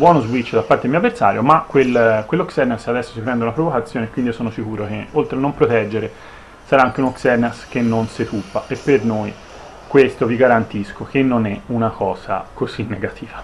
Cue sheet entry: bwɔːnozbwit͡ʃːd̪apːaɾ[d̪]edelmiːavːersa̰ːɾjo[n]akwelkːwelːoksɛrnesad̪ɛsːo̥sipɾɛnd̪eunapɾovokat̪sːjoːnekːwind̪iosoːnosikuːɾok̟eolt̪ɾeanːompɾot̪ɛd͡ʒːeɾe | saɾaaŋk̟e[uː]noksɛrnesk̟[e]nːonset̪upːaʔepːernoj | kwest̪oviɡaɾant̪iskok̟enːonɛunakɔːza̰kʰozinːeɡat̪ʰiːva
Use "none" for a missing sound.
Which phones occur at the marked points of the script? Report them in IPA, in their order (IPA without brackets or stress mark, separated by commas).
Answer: t̪, m, u, e